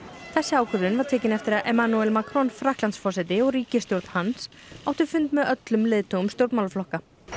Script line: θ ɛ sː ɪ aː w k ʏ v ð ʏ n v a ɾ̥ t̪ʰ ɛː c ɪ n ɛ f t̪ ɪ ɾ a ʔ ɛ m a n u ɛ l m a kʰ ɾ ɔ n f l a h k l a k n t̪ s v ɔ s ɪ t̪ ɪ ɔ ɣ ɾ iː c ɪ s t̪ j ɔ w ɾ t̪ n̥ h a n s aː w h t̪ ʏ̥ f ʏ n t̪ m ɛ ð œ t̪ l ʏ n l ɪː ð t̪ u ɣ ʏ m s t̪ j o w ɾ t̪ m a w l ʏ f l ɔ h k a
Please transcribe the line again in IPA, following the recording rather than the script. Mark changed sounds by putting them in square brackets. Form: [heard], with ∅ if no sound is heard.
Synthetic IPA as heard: θ ɛ sː ɪ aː w k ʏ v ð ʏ n v a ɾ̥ t̪ʰ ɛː c ɪ n ɛ f t̪ ɪ ɾ a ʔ ɛ m a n u ɛ l m a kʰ ɾ ɔ n f [ɾ] a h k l a [∅] n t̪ s [f] ɔ s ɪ t̪ ɪ ɔ ɣ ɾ iː c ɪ s t̪ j [o] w ɾ t̪ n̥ h a n s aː w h t̪ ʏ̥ f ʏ n t̪ m ɛ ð œ t̪ l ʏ [m] l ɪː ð t̪ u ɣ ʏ m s t̪ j o w ɾ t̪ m a w l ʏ f l ɔ h k a